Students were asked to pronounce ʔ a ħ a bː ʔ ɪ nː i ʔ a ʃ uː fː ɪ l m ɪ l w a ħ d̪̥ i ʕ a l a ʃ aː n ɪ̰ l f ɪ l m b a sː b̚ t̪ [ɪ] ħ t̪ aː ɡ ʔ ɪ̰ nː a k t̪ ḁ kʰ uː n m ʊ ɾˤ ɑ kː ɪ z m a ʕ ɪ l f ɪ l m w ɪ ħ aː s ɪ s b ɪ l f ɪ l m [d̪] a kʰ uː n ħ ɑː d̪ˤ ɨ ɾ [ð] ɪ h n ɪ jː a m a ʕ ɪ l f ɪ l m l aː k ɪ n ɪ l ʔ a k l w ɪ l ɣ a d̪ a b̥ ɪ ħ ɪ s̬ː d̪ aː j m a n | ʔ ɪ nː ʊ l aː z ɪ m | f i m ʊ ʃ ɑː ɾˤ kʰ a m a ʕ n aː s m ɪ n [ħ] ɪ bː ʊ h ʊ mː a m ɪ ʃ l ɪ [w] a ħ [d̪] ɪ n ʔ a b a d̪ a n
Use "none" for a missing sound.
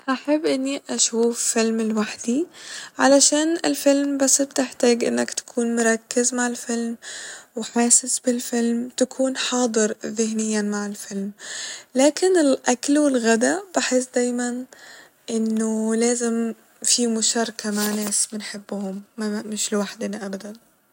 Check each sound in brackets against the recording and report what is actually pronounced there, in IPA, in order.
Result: ɪ, t̪, ð, ħ, w, d̪

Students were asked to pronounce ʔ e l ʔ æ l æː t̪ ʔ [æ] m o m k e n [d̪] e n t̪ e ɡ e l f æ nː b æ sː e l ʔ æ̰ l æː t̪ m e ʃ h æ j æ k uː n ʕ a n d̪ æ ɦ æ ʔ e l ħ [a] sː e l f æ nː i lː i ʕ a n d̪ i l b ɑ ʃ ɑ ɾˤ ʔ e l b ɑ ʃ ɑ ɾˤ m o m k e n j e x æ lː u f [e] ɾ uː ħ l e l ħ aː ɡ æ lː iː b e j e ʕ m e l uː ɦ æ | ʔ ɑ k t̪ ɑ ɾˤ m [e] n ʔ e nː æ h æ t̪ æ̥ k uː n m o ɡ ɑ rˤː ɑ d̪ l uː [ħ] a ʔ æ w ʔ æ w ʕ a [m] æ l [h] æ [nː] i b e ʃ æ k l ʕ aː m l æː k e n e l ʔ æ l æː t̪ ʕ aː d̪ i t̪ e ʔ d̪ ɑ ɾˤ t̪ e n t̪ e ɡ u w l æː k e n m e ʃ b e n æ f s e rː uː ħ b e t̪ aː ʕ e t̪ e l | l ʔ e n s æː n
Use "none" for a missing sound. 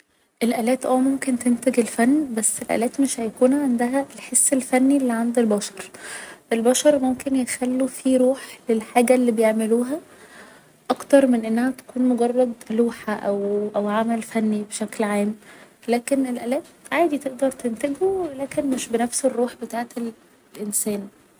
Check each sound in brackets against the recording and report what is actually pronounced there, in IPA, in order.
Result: æː, t̪, e, i, e, ħ, m, f, nː

